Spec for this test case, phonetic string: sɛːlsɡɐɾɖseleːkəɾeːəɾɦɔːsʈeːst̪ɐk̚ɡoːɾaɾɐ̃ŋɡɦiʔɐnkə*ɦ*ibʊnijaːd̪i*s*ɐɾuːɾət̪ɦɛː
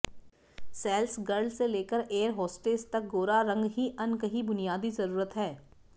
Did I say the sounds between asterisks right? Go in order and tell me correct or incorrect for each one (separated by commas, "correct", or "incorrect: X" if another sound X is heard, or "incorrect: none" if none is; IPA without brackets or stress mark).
correct, incorrect: z